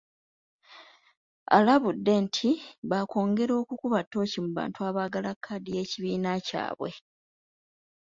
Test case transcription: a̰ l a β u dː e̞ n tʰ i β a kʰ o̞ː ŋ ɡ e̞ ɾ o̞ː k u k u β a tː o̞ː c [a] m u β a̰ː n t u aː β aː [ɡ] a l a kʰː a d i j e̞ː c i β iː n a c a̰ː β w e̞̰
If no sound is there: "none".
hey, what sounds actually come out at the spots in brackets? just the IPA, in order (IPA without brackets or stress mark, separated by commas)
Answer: i, ɡ